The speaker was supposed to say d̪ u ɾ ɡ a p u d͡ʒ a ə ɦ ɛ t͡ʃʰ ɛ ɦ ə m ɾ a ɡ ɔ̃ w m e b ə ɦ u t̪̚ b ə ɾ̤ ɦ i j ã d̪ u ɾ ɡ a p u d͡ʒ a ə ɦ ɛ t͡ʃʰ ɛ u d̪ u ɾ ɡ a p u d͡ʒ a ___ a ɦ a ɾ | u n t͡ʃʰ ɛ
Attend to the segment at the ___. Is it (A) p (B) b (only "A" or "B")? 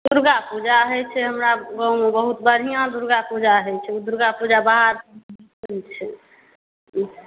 B